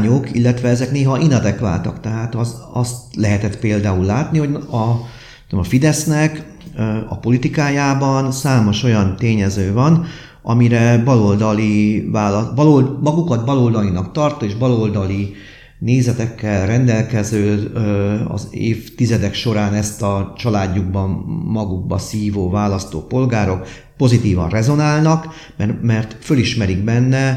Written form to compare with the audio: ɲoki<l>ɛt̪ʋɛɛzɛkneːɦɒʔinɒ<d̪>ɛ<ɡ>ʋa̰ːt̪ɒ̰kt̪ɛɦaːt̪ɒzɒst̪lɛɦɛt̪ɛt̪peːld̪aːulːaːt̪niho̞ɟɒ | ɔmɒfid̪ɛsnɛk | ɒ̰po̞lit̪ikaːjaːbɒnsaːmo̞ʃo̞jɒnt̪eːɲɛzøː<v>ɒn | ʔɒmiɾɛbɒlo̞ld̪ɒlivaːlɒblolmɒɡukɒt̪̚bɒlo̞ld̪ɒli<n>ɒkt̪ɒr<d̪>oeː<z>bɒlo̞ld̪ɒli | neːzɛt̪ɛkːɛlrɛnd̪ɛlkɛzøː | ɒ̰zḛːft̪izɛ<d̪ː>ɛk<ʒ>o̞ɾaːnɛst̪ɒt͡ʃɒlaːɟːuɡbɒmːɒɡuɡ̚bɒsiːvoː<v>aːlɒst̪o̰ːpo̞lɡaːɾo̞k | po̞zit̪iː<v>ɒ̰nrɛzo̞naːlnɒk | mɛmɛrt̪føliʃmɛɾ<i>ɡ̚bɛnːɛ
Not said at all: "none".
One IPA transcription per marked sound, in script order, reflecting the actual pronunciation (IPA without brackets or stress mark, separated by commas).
lː, d̪, k, v, n, t̪, ʒ, d̪, ʃ, v, v, i